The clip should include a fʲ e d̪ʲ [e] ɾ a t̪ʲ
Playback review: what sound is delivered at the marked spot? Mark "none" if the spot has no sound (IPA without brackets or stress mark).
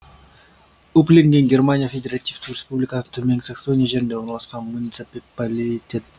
e